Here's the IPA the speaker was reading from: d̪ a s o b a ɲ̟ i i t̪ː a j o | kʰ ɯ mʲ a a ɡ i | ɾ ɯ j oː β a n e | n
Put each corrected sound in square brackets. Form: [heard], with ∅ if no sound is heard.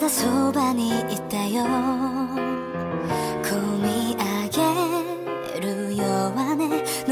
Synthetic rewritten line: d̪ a s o b a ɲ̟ i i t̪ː a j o | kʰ ɯ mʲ [i] a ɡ [e] | ɾ ɯ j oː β a n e | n